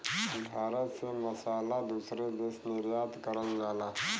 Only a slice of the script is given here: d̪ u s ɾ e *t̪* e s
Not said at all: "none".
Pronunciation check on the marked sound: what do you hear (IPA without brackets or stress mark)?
d̪